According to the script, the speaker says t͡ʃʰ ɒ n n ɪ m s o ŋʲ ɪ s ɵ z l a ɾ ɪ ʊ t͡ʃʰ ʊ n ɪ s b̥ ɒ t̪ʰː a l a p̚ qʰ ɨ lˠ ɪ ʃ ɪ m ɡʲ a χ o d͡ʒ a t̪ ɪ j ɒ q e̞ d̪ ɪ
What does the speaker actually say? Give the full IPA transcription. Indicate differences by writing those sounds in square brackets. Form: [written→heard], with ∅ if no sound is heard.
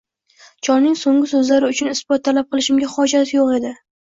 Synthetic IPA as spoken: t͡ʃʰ ɒ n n ɪ [m→ŋ] s o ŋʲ ɪ s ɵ z l a ɾ ɪ ʊ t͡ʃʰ ʊ n ɪ s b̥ ɒ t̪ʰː a l a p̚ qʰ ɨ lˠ ɪ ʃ ɪ m ɡʲ a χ [o→ɒ] d͡ʒ a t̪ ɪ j [ɒ→o] q e̞ d̪ ɪ